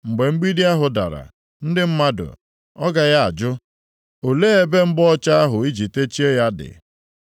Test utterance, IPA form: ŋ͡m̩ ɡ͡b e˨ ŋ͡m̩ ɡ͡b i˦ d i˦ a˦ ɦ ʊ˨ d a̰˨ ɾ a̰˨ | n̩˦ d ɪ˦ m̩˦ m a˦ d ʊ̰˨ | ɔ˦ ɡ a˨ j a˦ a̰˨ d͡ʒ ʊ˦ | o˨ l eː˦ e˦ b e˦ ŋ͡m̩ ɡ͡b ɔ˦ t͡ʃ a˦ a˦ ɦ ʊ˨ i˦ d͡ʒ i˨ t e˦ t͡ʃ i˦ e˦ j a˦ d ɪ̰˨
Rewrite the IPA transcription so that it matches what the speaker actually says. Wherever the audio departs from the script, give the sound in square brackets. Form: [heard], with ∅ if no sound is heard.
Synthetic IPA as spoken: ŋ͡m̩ ɡ͡b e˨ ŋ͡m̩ ɡ͡b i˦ d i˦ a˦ ɦ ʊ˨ d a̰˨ ɾ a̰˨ | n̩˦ d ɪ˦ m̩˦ m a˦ d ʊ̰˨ | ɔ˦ ɡ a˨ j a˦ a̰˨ d͡ʒ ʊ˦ | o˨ l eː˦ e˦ b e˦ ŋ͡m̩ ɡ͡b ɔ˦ t͡ʃ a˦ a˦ ɦ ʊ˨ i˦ d͡ʒ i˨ t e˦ t͡ʃ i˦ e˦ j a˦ d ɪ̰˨